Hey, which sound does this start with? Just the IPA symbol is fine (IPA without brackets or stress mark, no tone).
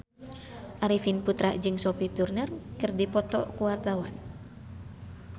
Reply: ʔ